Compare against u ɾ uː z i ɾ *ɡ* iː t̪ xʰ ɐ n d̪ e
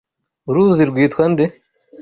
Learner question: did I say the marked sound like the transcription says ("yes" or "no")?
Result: yes